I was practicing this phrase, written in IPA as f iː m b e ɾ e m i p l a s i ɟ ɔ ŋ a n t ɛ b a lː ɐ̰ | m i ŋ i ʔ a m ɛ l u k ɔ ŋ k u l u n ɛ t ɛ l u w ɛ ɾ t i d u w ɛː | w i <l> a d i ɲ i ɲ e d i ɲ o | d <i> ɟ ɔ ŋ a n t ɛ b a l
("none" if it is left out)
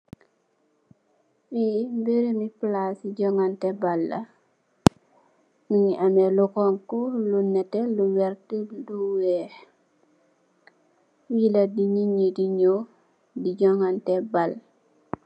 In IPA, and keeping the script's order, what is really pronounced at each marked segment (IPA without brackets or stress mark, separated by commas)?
l, i